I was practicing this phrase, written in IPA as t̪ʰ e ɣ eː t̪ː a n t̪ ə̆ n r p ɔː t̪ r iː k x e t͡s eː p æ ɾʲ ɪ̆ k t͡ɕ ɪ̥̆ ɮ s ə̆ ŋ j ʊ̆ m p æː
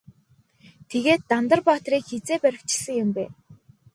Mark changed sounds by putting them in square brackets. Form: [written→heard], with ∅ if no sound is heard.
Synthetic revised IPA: t̪ʰ e ɣ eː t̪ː a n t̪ ə̆ [n→∅] r p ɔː t̪ r iː k x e t͡s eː p æ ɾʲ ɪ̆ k t͡ɕ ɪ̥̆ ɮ s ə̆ ŋ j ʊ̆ m p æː